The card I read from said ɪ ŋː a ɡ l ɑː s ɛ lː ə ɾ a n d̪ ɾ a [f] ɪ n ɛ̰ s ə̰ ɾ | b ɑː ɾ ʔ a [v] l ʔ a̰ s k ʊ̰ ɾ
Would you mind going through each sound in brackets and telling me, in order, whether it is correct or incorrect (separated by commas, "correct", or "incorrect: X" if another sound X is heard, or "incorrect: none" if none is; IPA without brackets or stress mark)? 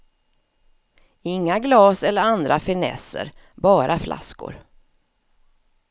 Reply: correct, incorrect: f